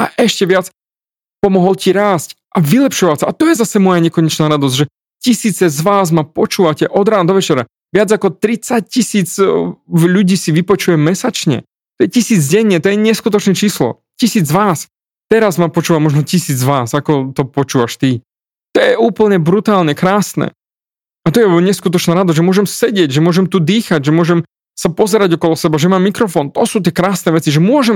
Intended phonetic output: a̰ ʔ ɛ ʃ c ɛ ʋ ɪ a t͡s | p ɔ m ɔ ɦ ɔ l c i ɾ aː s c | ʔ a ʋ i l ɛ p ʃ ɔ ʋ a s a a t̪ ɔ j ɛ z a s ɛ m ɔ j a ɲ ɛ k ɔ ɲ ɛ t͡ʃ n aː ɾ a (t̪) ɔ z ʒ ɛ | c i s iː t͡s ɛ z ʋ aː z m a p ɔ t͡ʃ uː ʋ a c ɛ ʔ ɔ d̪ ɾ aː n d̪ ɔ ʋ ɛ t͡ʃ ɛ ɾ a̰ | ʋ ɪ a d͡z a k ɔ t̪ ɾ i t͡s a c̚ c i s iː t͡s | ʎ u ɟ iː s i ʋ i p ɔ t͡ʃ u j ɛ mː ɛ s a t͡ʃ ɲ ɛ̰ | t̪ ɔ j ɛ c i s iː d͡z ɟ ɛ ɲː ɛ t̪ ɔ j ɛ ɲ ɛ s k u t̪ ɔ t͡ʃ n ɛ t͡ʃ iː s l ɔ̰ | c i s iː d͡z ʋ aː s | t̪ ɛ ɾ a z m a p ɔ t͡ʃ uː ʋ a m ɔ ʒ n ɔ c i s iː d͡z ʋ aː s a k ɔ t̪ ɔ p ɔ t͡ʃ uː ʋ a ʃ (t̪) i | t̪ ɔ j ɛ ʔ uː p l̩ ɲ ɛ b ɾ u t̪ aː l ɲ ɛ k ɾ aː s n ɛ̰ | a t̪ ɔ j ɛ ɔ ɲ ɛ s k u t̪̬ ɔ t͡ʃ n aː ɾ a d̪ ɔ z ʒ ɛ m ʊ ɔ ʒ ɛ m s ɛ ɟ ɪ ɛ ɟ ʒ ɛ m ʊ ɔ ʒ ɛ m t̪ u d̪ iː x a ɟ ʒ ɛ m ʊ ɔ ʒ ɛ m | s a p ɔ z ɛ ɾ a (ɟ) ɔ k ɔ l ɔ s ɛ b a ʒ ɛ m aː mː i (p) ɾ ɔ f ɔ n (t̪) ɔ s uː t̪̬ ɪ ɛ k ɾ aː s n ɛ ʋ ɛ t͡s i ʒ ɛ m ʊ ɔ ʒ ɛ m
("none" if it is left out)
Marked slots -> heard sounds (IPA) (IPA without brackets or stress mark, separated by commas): d̪, t̪, ɟ, k, t̪